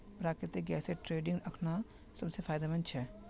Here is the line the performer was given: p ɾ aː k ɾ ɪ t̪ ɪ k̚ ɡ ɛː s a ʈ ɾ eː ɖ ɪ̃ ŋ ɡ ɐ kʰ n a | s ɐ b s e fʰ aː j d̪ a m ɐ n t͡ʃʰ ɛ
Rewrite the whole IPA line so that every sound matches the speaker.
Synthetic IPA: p ɾ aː k ɾ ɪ t̪ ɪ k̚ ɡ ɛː s e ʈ ɾ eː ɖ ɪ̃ ŋ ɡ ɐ kʰ n a | s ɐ b s e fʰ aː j d̪ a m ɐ n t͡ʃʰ ɛ